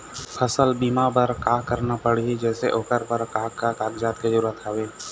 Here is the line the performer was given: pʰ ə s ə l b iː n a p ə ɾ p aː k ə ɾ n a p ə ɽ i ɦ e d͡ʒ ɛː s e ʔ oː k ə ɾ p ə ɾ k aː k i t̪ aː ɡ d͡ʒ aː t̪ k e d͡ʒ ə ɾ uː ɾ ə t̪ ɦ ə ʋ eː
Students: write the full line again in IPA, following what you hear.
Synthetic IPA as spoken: pʰ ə s ə l b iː m a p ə ɾ k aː k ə ɾ n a p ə ɽ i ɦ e d͡ʒ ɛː s e ʔ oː k ə ɾ p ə ɾ k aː k a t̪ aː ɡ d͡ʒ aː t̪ k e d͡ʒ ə ɾ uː ɾ ə t̪ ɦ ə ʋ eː